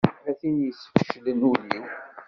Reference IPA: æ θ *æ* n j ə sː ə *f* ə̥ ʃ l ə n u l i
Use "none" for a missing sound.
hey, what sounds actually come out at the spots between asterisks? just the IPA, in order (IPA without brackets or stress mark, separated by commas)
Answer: i, f